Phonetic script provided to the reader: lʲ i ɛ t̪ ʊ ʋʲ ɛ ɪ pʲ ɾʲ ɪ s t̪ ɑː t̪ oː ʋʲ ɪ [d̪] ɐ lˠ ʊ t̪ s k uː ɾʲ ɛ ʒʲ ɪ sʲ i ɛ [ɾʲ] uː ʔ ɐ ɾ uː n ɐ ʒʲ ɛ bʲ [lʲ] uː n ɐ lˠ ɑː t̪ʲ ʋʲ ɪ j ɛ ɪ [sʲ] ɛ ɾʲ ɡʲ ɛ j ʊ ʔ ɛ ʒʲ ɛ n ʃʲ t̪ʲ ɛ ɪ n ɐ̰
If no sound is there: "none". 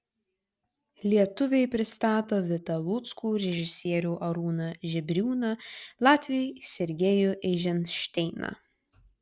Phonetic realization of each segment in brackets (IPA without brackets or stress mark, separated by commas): t̪, ɾʲ, ɾʲ, sʲ